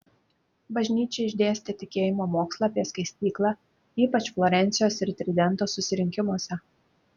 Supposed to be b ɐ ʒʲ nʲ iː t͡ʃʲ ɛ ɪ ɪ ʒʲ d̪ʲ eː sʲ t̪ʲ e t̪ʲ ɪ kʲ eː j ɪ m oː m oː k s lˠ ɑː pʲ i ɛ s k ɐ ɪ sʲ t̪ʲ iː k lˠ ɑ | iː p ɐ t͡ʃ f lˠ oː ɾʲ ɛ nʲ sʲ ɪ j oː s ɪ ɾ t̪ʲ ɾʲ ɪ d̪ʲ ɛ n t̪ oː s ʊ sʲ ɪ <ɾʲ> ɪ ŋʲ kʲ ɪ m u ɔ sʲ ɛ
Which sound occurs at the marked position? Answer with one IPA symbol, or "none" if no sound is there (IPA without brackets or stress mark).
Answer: ɾʲ